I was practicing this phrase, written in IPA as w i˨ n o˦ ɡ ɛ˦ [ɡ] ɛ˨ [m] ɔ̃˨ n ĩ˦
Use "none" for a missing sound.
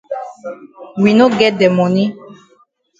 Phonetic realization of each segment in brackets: d, m

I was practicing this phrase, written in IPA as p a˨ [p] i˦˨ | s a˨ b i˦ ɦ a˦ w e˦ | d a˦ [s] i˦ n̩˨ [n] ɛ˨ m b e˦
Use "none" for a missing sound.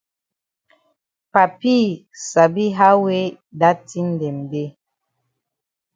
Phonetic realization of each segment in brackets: p, t, d

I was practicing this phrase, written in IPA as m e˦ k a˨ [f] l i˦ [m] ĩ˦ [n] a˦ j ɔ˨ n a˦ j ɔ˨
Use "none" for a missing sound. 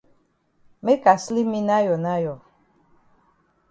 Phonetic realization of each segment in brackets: s, m, n

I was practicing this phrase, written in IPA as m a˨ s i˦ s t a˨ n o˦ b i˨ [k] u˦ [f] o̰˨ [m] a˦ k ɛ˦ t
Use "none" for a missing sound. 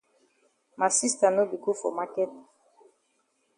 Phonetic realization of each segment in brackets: k, f, m

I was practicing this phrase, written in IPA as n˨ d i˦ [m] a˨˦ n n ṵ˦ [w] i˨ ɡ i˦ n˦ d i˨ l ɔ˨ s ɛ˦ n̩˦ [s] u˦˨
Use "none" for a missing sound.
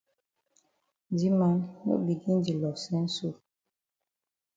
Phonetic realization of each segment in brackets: m, b, s

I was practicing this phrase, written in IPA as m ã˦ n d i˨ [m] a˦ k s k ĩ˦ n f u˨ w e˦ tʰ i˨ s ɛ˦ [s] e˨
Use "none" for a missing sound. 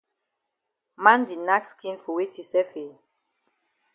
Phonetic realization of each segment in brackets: n, f

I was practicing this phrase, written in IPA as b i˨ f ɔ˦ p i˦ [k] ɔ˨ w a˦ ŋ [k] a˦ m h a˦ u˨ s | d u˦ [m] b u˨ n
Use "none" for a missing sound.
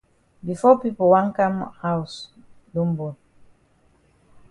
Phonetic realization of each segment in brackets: p, k, m

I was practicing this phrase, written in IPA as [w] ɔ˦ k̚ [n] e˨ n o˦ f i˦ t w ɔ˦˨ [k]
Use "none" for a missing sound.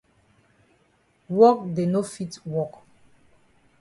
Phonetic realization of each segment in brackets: w, d, k

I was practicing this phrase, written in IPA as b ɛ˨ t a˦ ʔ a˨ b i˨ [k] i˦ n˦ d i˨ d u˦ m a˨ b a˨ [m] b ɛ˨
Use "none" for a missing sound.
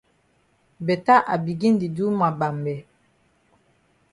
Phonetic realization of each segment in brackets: ɡ, m

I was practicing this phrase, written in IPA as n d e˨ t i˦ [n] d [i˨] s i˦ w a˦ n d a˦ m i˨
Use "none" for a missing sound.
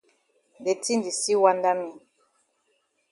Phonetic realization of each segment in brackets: n, i˨

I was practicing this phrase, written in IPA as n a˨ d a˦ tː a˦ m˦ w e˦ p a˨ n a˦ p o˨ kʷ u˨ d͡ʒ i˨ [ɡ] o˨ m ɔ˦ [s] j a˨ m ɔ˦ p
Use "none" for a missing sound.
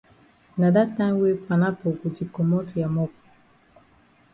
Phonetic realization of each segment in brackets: k, t

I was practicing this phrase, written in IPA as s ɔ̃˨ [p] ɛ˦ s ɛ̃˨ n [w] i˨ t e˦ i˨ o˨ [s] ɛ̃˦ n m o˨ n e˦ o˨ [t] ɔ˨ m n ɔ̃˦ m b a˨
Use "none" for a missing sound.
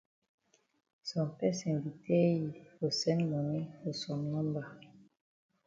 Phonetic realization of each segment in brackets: p, v, s, s

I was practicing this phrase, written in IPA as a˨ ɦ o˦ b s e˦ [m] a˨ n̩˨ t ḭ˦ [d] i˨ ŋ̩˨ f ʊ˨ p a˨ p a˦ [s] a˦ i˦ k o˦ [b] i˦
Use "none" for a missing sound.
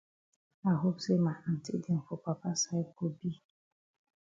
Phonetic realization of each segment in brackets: m, d, s, b

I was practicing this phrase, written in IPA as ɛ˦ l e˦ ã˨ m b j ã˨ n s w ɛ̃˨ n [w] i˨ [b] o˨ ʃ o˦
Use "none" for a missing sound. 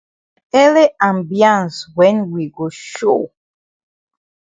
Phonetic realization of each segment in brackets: w, ɡ

